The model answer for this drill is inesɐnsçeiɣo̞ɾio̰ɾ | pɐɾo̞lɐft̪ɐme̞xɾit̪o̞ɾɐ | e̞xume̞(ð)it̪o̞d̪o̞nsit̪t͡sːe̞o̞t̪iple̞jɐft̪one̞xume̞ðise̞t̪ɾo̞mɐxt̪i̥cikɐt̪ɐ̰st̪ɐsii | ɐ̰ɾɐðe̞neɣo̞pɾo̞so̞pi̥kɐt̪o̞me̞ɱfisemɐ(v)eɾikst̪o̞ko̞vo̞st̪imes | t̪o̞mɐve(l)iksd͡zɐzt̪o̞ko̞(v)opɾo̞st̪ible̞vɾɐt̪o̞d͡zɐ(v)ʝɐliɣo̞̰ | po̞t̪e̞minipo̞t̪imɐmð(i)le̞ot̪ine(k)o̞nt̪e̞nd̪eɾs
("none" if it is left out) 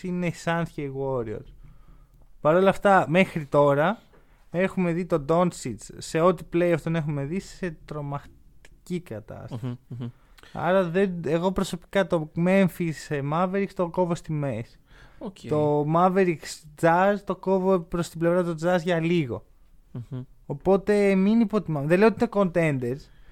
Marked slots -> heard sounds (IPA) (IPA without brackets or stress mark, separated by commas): ð, v, ɾ, v, z, e, k